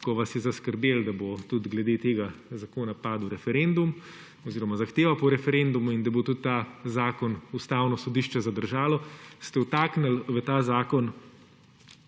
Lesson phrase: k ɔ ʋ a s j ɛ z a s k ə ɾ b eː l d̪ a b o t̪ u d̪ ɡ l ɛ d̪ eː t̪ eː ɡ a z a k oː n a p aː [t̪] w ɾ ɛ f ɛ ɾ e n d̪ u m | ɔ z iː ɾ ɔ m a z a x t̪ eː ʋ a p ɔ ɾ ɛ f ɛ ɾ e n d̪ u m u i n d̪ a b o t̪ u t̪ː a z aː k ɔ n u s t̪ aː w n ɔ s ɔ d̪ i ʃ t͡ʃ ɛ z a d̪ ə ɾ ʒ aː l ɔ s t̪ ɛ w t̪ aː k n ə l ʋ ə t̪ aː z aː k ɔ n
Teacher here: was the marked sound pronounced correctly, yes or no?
no